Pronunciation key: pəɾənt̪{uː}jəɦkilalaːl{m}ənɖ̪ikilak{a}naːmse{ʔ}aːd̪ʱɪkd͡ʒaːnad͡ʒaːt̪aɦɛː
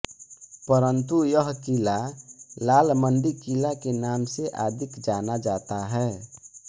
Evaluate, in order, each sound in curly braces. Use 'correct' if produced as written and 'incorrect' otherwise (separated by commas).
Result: incorrect, correct, incorrect, correct